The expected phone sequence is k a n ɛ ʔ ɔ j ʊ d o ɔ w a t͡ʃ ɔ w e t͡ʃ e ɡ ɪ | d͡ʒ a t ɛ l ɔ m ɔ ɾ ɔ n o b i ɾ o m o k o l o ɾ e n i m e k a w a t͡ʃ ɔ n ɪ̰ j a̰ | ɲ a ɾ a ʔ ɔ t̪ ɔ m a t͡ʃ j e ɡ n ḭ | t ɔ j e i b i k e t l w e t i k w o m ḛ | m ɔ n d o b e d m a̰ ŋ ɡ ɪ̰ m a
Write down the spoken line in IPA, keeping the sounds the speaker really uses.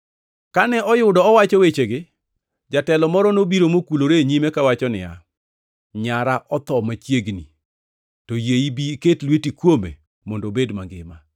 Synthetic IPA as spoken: k a n ɛ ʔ ɔ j ʊ d ɔ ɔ w a t͡ʃ ɔ w e t͡ʃ e ɡ ɪ | d͡ʒ a t ɛ l ɔ m ɔ ɾ ɔ n o b i ɾ o m o k u l o ɾ e ɲ i m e k a w a t͡ʃ ɔ n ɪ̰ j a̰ | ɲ a ɾ a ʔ ɔ t̪ ɔ m a t͡ʃ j e ɡ n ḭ | t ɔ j e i b i k e t l w e t i k w o m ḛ | m ɔ n d o b e d m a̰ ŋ ɡ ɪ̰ m a

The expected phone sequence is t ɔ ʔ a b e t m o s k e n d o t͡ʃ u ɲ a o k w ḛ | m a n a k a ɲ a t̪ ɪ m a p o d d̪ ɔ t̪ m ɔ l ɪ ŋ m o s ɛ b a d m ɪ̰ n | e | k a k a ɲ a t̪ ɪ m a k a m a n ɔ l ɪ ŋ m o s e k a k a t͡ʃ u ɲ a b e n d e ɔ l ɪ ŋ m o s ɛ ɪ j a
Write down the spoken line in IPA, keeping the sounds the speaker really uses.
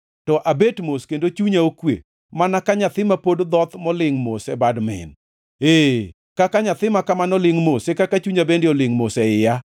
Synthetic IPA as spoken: t ɔ ʔ a b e t m o s k e n d o t͡ʃ u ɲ a o k w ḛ | m a n a k a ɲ a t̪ ɪ m a p o d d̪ ɔ t̪ m ɔ l ɪ ŋ m o s ɛ b a d m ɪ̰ n | e | k a k a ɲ a t̪ ɪ m a k a m a n ɔ l ɪ ŋ m o s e k a k a t͡ʃ u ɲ a b e n d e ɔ l ɪ ŋ m o s ɛ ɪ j a

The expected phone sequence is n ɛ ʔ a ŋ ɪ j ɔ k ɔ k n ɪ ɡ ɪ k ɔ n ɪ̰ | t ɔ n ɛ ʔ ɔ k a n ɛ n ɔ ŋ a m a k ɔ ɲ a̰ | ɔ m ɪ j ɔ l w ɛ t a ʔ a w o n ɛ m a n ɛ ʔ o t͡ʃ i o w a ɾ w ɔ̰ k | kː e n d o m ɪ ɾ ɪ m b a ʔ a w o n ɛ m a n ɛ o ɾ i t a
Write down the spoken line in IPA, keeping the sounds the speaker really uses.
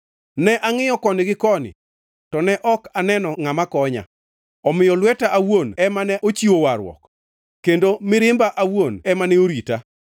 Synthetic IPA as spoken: n ɛ ʔ a ŋ ɪ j ɔ k ɔ n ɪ ɡ ɪ k ɔ n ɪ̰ | t ɔ n ɛ ʔ ɔ k a n ɛ n ɔ ŋ a m a k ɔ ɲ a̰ | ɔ m ɪ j ɔ l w ɛ t a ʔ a w o n ɛ m a n ɛ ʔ o t͡ʃ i o w a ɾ w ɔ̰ k | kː e n d o m ɪ ɾ ɪ m b a ʔ a w o n ɛ m a n ɛ o ɾ i t a

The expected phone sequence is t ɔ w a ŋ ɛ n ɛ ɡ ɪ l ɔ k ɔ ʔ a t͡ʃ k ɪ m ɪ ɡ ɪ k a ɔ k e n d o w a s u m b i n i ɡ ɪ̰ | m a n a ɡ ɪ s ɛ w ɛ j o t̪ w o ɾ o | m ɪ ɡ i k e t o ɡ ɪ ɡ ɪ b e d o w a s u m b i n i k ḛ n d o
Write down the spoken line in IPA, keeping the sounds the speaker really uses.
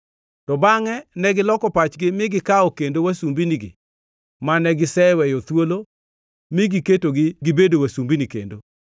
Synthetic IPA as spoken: t ɔ b a ŋ ɛ n ɛ ɡ ɪ l ɔ k ɔ p a t͡ʃ ɡ ɪ m ɪ ɡ ɪ k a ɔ k e n d o w a s u m b i n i ɡ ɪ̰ | m a n ɛ ɡ ɪ s ɛ w ɛ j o t̪ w o l o | m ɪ ɡ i k e t o ɡ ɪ ɡ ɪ b e d o w a s u m b i n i k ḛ n d o

